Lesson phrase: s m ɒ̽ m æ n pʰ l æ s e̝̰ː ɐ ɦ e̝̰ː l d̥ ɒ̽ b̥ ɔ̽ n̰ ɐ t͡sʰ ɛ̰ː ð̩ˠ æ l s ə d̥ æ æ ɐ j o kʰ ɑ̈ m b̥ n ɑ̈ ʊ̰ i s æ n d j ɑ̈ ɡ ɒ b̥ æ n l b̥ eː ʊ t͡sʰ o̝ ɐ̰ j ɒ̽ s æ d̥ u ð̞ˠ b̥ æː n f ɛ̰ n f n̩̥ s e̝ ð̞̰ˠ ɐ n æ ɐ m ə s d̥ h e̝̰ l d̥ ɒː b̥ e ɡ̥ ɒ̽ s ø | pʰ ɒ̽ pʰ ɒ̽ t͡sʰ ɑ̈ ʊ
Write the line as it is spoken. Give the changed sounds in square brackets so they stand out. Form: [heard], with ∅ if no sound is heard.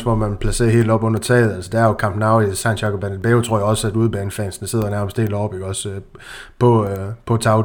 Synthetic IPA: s m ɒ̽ m æ n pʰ l æ s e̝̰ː ɐ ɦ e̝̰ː l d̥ ɒ̽ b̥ ɔ̽ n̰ ɐ t͡sʰ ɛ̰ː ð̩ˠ æ l s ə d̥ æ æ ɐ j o kʰ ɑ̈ m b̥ n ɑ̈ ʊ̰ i s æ n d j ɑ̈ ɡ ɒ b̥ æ n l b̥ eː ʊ t͡sʰ o̝ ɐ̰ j ɒ̽ s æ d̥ u ð̞ˠ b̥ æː n f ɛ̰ n [s] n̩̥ s e̝ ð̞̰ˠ ɐ n æ ɐ m ə s d̥ h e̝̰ l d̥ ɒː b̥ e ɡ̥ ɒ̽ s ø | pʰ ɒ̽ pʰ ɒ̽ t͡sʰ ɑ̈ ʊ